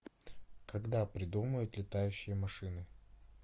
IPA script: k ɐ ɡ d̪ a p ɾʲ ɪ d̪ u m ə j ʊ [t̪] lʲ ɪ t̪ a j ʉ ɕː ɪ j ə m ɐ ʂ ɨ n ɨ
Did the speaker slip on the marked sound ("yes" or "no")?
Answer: no